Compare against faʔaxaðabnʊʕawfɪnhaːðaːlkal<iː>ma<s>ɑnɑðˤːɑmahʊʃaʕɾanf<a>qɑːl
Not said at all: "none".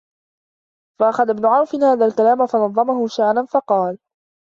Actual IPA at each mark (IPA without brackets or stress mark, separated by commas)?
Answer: aː, f, ɑ